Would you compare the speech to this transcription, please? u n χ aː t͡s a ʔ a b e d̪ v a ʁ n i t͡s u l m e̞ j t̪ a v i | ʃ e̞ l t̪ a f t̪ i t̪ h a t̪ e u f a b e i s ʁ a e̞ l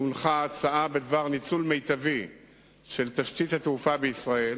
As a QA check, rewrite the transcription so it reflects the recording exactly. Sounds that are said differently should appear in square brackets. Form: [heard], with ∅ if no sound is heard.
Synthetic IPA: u n χ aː t͡s a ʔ a b e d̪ v a ʁ n i t͡s u l m e̞ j t̪ a v i | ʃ e̞ l t̪ a [ʃ] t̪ i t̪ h a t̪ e u f a b e i s ʁ a e̞ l